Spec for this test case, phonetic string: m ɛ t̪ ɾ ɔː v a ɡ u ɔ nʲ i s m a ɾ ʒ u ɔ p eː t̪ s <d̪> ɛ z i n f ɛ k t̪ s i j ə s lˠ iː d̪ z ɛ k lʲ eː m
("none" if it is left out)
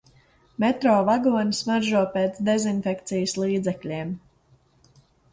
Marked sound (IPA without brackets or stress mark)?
d̪